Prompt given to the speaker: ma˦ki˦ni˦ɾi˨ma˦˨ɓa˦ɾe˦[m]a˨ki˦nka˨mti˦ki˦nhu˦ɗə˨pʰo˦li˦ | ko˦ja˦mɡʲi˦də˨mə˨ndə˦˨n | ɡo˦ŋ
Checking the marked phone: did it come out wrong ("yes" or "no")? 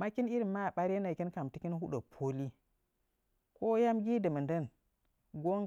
yes